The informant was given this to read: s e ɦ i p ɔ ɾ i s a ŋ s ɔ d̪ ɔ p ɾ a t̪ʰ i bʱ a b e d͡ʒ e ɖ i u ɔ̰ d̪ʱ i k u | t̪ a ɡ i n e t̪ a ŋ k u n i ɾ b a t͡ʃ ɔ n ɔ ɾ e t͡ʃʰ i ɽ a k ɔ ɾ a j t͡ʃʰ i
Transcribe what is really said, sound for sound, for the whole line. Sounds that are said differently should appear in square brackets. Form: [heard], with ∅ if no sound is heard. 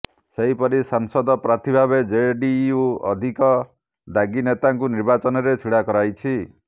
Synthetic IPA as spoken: s e ɦ i p ɔ ɾ i s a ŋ s ɔ d̪ ɔ p ɾ a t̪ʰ i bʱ a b e d͡ʒ e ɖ i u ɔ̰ d̪ʱ i k [ɔ] | [d̪] a ɡ i n e t̪ a ŋ k u n i ɾ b a t͡ʃ ɔ n ɔ ɾ e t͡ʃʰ i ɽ a k ɔ ɾ a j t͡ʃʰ i